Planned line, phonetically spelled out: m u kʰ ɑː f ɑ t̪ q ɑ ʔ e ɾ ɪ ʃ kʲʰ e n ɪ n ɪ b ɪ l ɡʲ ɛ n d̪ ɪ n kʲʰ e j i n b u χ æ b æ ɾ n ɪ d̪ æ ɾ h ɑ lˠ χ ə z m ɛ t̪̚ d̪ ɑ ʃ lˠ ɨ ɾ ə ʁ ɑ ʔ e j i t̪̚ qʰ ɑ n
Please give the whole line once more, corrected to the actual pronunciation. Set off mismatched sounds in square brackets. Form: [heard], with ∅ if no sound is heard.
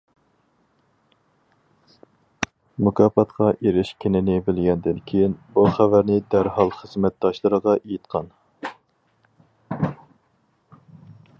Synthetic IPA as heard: m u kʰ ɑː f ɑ t̪ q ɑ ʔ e ɾ ɪ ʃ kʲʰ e n ɪ n ɪ b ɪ l ɡʲ ɛ n d̪ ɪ n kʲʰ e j i n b u χ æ [v] æ ɾ n ɪ d̪ æ ɾ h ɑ lˠ χ ə z m ɛ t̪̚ d̪ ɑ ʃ lˠ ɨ ɾ ə ʁ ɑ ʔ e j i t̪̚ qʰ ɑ n